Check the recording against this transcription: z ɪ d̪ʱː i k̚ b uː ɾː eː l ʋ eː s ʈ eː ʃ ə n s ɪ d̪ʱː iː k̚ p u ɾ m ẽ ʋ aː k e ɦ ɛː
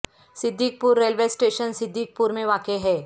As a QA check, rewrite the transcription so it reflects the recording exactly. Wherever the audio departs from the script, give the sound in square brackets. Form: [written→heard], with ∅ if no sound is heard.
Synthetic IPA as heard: [z→s] ɪ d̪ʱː i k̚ [b→p] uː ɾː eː l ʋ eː s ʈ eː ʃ ə n s ɪ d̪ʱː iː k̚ p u ɾ m ẽ ʋ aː k e ɦ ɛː